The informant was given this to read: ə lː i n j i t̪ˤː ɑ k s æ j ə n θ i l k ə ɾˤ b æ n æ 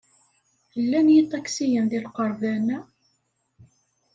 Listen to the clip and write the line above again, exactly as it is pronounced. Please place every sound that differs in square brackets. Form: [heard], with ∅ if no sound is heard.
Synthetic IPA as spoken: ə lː [æ] n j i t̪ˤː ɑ k s [i] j ə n [ð] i l [q] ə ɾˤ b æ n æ